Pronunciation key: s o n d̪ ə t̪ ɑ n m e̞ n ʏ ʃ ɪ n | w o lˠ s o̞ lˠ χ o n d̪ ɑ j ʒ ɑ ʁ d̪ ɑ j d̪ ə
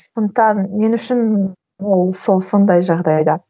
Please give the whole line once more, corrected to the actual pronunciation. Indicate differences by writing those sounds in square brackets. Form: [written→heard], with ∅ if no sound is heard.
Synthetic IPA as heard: s o n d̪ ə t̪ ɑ n m e̞ n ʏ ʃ ɪ n | w o lˠ s o̞ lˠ [χ→s] o n d̪ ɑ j ʒ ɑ ʁ d̪ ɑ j d̪ [ə→ɑ]